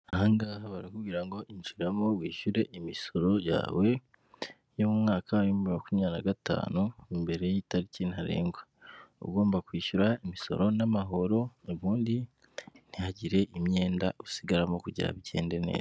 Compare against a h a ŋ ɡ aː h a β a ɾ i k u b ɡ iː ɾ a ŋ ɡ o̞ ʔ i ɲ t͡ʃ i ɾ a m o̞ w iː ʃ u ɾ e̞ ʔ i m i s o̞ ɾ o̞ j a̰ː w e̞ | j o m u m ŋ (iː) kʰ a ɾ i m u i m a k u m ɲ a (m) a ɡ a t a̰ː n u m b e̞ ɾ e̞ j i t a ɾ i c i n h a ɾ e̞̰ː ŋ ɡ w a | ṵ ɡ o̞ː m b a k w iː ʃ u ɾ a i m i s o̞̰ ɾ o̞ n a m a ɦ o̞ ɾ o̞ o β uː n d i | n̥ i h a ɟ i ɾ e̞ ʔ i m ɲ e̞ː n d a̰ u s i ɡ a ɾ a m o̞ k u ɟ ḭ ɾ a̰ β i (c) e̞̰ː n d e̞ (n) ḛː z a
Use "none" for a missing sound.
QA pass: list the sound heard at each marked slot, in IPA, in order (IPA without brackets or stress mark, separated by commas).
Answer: aː, n, ɟ, n